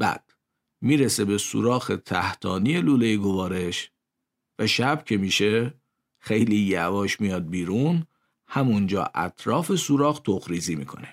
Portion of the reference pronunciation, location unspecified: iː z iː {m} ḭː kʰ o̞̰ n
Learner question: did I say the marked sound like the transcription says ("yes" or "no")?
yes